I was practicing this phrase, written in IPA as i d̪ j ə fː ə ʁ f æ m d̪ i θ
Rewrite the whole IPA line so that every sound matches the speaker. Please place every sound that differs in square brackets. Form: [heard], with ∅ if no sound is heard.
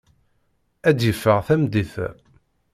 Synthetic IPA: [æ] d̪ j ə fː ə ʁ [θ] æ m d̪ i θ